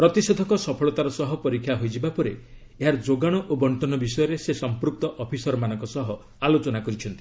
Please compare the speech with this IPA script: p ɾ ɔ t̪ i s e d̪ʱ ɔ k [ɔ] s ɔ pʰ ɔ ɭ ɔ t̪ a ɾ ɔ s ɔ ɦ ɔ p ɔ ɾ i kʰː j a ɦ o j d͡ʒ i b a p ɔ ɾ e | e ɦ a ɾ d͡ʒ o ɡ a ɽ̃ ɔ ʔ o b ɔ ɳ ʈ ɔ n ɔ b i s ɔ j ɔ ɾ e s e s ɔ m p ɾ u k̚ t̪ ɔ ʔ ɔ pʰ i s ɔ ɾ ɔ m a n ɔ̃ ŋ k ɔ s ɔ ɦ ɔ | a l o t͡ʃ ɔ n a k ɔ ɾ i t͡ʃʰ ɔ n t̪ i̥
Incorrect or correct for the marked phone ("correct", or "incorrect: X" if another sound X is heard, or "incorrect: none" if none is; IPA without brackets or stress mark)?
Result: correct